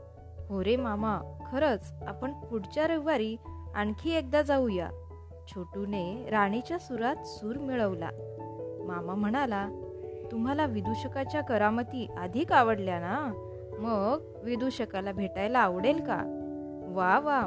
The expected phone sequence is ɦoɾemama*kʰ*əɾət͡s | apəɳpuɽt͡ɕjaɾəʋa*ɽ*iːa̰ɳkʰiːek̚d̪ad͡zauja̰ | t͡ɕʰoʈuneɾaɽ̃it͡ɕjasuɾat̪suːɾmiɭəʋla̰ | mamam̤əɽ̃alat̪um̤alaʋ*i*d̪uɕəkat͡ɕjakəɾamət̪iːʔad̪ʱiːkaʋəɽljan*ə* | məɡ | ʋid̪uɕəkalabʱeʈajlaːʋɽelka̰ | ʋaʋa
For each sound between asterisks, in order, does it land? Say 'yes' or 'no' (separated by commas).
yes, no, yes, no